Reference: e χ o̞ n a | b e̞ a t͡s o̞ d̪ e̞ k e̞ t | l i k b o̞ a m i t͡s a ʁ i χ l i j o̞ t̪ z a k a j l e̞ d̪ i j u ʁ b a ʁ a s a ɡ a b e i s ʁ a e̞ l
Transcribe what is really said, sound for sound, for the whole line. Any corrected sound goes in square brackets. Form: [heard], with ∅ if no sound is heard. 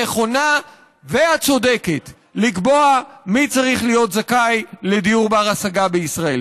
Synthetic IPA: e χ o̞ n a | [v] e̞ a t͡s o̞ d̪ e̞ k e̞ t | l i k b o̞ a m i t͡s a ʁ i χ l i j o̞ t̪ z a k a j l e̞ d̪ i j u ʁ b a ʁ a s a ɡ a b e i s ʁ a e̞ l